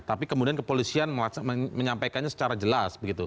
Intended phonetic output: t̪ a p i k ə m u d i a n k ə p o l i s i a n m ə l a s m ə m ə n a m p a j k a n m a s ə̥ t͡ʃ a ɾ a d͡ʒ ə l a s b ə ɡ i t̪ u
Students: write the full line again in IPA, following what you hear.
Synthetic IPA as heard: t̪ a p i k ə m u d i a n k ə p o l i s i a n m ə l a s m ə m ə ɲ a m p a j k a n ɲ a s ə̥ t͡ʃ a ɾ a d͡ʒ ə l a s b ə ɡ i t̪ u